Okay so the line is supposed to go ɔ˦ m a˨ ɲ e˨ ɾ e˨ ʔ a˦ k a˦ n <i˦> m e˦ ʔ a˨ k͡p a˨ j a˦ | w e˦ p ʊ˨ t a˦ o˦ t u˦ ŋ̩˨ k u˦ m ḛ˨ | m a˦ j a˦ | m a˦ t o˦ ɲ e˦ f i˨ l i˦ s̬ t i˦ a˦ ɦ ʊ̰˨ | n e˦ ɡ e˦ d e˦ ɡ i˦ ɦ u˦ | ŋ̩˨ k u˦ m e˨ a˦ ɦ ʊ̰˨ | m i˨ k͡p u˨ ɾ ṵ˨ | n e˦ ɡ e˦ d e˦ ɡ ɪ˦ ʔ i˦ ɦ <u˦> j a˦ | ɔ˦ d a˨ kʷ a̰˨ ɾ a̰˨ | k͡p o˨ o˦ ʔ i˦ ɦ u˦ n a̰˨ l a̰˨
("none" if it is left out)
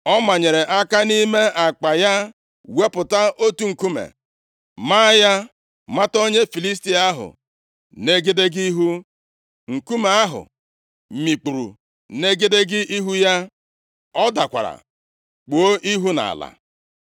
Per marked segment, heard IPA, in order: i˦, u˦

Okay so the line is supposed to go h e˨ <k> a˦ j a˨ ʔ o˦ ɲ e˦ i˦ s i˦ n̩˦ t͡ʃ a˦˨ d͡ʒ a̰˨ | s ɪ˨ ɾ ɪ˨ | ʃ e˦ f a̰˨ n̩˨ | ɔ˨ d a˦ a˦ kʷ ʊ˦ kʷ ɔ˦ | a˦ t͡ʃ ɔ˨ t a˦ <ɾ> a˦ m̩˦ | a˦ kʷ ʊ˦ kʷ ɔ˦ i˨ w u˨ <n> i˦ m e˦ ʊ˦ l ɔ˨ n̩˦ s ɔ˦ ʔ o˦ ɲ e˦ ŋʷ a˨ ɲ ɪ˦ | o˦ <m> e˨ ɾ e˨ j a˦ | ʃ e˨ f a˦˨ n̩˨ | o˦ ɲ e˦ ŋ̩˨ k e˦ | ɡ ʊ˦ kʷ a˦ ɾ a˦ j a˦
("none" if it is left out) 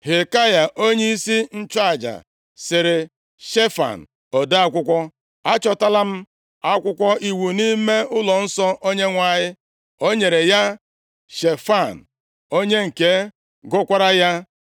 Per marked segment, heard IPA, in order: k, l, n, ɲ

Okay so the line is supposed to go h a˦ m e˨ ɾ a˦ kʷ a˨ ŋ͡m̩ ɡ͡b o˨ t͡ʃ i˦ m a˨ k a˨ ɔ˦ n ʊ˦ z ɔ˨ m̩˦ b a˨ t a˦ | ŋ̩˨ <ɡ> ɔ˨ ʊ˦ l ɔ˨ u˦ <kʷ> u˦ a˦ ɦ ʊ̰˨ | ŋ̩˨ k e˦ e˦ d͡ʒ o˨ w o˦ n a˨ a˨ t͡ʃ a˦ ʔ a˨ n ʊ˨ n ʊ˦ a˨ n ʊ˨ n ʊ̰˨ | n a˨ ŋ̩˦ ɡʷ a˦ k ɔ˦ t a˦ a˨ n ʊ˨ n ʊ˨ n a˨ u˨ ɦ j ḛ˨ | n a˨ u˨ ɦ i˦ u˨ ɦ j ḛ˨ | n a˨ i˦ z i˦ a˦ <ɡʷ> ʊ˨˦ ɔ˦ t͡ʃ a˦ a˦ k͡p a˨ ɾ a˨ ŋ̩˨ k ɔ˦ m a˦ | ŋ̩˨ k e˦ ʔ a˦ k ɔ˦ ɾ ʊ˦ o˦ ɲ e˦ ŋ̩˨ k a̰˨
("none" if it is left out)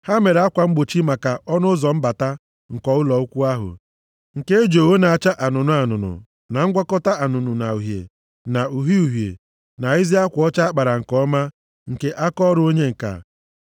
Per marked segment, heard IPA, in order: k, kʷ, kʷ

